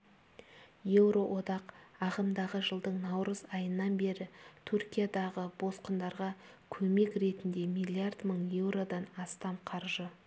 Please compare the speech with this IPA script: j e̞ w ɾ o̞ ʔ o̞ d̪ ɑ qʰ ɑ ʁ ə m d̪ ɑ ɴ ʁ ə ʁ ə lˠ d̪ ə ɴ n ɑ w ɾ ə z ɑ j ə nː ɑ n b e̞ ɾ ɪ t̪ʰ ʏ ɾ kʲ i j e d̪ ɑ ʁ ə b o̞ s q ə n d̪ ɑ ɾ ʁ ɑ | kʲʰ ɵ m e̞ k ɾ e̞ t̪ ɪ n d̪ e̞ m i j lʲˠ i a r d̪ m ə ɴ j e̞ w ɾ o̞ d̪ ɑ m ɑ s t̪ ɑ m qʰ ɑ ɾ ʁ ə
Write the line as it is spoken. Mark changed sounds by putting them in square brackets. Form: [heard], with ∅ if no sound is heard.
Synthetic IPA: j e̞ w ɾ o̞ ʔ o̞ d̪ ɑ [q] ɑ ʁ ə m d̪ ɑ [∅] ʁ ə [ʒ] ə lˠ d̪ ə ɴ n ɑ w ɾ ə z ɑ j ə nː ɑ n b e̞ ɾ ɪ t̪ʰ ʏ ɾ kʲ i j [a] d̪ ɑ ʁ ə b o̞ s q ə n d̪ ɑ ɾ ʁ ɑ | kʲʰ ɵ m e̞ k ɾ e̞ t̪ ɪ n d̪ e̞ m i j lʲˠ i a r d̪ m ə ɴ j e̞ w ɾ o̞ d̪ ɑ [n] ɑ s t̪ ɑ m qʰ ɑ ɾ [ʒ] ə